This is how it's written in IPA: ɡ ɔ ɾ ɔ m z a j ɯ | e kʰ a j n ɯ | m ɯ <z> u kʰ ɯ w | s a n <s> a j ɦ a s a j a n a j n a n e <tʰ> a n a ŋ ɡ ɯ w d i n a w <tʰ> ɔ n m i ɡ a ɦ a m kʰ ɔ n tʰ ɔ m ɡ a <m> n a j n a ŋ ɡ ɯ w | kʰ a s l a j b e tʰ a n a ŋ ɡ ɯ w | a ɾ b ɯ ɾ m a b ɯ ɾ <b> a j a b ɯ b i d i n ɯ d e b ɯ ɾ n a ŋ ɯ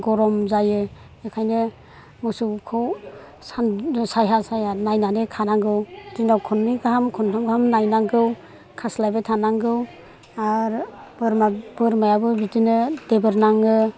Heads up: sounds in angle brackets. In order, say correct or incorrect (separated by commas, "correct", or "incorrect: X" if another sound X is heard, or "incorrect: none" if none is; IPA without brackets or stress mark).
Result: incorrect: s, correct, incorrect: kʰ, incorrect: kʰ, correct, incorrect: m